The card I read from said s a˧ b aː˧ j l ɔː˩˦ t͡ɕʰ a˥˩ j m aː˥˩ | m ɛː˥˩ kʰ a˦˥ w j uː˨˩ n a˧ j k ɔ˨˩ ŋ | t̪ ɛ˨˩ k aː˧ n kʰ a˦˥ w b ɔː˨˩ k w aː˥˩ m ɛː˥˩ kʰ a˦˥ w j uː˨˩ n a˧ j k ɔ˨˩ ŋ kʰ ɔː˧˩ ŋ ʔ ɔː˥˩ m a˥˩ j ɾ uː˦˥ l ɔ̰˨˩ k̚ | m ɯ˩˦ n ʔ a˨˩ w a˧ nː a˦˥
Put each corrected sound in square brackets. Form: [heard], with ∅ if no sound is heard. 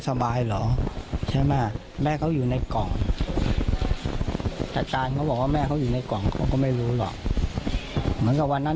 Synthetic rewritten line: s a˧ b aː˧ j l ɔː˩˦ t͡ɕʰ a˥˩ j m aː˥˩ | m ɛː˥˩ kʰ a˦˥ w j uː˨˩ n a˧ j k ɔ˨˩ ŋ | t̪ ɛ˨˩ k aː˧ n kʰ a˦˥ w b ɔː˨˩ k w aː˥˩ m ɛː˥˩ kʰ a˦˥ w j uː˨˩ n a˧ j k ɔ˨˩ ŋ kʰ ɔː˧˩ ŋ [k] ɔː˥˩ m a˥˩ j ɾ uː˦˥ l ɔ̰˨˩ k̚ | m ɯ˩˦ n [k] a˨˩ w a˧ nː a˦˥